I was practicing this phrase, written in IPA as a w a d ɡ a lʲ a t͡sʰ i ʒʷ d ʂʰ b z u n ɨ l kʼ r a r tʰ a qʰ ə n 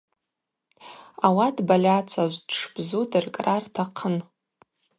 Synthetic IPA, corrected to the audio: a w a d b a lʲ a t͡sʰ a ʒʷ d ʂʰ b z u d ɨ r kʼ r a r tʰ a qʰ ə n